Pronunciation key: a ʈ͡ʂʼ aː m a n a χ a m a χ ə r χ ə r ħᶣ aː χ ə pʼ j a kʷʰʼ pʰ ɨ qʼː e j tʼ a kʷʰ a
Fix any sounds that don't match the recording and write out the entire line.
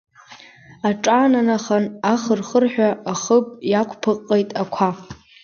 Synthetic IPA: a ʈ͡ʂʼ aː n a n a χ a n a χ ə r χ ə r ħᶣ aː χ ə pʼ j a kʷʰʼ pʰ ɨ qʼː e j tʼ a kʷʰ a

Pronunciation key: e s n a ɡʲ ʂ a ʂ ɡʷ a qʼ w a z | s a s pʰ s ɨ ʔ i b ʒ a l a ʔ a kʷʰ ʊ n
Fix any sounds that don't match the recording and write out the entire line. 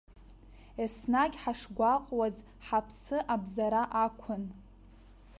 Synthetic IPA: e s n a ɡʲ ħ a ʂ ɡʷ a qʼ w a z | ħ a pʰ s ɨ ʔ a b z a ɾ a ʔ a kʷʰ ʊ n

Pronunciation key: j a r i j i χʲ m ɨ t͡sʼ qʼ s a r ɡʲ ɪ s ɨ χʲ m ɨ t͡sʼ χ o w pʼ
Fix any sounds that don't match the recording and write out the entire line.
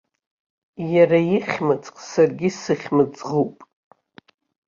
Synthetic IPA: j a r a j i χʲ m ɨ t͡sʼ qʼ s a r ɡʲ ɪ s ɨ χʲ m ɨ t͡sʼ ʁ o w pʼ

